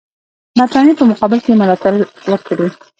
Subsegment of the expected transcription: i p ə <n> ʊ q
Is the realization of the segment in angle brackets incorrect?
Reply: yes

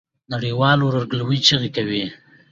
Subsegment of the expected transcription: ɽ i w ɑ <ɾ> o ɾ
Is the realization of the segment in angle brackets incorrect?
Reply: yes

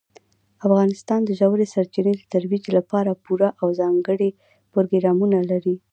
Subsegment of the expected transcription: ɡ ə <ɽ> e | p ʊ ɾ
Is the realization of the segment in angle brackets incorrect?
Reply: no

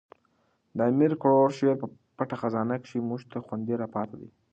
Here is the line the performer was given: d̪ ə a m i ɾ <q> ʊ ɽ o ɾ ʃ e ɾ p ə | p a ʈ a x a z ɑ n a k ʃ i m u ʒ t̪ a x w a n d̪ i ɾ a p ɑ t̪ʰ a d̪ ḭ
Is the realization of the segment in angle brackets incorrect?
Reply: yes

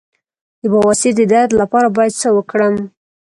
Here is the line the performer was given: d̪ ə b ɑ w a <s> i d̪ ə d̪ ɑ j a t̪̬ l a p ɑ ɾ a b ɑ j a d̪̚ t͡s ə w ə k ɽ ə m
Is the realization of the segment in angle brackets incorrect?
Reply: no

